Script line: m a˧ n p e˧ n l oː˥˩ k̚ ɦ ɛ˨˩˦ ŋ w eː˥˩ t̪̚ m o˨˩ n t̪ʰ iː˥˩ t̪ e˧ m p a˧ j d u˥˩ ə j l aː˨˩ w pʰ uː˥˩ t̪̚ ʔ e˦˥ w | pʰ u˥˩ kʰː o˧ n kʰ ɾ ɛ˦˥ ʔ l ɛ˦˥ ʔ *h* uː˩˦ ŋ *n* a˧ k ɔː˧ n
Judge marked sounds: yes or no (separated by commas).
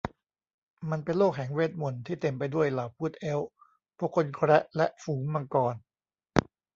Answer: no, no